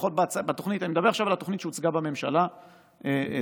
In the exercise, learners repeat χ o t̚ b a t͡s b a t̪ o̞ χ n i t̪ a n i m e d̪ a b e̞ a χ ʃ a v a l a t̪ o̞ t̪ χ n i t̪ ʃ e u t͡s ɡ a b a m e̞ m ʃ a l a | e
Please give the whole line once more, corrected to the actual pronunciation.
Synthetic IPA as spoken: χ o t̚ b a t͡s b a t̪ o̞ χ n i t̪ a n i m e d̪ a b e̞ a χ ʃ a v a l a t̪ o̞ χ n i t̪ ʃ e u t͡s ɡ a b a m e̞ m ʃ a l a | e